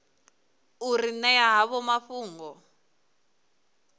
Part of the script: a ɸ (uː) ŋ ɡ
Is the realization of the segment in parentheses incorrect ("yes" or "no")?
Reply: no